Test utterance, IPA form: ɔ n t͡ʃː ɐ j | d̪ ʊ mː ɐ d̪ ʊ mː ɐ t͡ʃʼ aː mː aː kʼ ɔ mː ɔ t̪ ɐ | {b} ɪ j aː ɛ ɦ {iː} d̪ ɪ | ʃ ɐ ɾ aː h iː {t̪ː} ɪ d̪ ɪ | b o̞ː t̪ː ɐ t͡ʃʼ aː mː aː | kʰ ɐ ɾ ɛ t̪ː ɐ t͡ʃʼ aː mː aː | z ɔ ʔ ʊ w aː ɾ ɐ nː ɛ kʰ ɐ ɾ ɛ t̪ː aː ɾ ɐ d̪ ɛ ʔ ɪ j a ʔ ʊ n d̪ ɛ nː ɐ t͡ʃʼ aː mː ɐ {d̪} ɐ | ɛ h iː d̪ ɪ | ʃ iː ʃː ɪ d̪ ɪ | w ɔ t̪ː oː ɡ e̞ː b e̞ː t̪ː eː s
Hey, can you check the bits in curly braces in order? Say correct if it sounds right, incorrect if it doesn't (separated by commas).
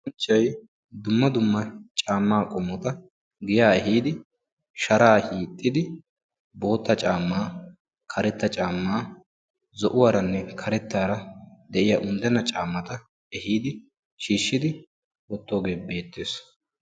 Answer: incorrect, correct, incorrect, incorrect